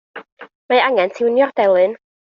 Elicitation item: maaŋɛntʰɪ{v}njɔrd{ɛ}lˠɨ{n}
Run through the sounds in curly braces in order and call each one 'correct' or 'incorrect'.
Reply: incorrect: w, correct, correct

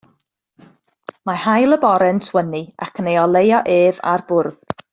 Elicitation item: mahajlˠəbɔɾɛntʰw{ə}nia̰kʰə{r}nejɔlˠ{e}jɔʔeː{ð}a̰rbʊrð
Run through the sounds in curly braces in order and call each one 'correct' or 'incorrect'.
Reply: correct, incorrect: none, correct, incorrect: v

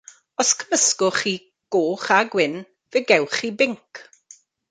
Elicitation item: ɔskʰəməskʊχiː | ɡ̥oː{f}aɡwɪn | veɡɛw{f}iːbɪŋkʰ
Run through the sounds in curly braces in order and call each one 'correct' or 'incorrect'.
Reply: incorrect: χ, incorrect: χ

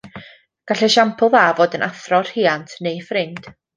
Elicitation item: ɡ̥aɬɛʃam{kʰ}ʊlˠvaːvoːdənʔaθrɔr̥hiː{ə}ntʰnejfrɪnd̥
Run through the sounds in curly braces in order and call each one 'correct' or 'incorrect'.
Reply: incorrect: pʰ, incorrect: a

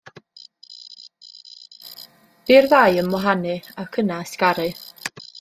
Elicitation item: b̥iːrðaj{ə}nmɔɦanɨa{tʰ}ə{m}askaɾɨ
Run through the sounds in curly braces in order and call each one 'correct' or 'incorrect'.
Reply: correct, incorrect: kʰ, incorrect: n

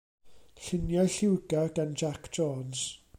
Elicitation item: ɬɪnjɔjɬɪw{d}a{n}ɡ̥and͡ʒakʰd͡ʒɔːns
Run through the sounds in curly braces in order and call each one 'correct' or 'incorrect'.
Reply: incorrect: ɡ, incorrect: none

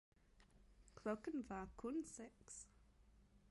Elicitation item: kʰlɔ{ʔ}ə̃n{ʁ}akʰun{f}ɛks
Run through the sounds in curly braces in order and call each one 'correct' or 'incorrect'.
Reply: incorrect: k, incorrect: v, incorrect: s

